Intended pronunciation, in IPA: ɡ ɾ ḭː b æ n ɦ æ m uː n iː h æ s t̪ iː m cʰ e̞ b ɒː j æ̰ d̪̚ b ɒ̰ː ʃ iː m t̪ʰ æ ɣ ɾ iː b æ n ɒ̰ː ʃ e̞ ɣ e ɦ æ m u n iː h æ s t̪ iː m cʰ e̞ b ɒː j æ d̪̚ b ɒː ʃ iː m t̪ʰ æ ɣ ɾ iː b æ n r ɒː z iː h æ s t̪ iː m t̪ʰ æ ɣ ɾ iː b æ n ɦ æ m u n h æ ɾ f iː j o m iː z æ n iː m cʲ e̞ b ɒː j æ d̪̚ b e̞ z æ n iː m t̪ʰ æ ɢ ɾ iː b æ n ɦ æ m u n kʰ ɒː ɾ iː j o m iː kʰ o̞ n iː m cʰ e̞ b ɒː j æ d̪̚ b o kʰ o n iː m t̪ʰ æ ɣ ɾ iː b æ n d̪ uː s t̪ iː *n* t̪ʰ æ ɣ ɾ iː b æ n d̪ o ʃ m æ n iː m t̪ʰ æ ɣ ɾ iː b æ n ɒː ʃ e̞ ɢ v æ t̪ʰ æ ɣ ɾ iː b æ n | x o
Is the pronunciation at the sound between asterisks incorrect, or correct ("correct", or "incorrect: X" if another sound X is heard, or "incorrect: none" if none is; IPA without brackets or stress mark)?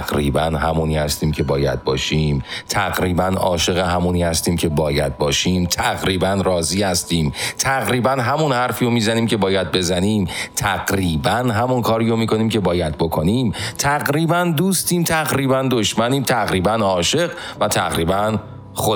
incorrect: m